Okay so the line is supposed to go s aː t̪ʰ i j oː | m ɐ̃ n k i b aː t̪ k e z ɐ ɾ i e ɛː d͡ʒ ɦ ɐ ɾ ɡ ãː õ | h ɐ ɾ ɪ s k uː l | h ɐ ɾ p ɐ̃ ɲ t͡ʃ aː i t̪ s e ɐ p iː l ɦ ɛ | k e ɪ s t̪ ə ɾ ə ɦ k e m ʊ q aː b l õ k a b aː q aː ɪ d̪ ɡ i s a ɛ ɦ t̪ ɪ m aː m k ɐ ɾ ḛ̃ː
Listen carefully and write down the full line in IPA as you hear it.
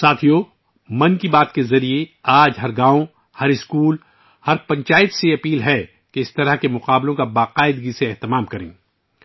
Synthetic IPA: s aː t̪ʰ i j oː | m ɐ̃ n k i b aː t̪ k e z ɐ ɾ i e aː d͡ʒ ɦ ɐ ɾ ɡ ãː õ | h ɐ ɾ ɪ s k uː l | h ɐ ɾ p ɐ̃ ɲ t͡ʃ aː ɪ t̪ s e ɐ p iː l ɦ ɛ | k e ɪ s t̪ ɐ ɾ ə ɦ k e m ʊ q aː b l õ k a b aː q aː ɪ d̪ ɡ i s e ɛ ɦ t̪ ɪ m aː m k ɐ ɾ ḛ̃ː